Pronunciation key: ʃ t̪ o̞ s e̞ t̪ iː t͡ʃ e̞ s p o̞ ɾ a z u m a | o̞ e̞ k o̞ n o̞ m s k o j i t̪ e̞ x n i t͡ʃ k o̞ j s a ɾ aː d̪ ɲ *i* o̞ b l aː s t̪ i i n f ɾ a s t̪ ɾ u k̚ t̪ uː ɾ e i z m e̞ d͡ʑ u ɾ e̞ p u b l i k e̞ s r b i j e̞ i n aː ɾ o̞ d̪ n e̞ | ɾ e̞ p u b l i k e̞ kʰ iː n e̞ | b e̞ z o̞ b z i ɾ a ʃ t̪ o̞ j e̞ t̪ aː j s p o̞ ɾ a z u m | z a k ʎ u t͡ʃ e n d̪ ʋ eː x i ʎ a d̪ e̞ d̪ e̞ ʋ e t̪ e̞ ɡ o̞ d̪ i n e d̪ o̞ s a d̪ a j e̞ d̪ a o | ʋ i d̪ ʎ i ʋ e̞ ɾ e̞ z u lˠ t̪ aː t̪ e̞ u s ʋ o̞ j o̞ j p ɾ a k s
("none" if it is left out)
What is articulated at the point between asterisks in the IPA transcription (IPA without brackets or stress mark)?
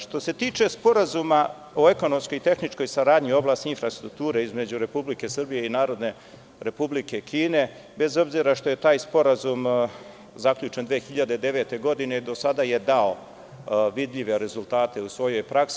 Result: i